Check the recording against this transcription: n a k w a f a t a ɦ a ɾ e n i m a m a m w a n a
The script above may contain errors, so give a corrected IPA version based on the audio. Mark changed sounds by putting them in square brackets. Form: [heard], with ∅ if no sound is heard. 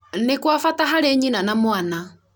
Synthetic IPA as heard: n [e] k w a f a t a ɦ a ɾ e [ɲ] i [n] a [n] a m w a n a